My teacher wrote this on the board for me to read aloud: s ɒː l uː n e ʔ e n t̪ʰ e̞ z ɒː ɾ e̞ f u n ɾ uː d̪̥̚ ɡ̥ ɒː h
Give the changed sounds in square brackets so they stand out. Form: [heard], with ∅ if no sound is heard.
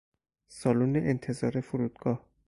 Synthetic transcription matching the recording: s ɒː l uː n e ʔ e n t̪ʰ e̞ z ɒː ɾ e̞ f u [∅] ɾ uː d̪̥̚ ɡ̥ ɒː h